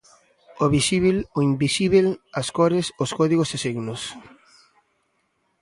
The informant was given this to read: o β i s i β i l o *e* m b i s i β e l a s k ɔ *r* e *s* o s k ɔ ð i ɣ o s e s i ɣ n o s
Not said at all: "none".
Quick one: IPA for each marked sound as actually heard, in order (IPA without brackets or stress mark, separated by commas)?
i, ɾ, s